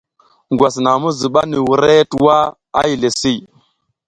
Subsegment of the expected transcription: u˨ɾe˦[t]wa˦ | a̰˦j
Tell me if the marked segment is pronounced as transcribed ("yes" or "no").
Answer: yes